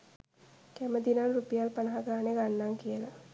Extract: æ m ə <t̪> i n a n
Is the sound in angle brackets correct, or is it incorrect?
incorrect